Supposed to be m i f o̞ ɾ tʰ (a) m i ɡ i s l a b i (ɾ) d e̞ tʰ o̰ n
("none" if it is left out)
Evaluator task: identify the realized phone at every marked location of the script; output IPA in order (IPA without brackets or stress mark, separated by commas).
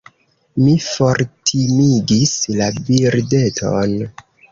i, ɾ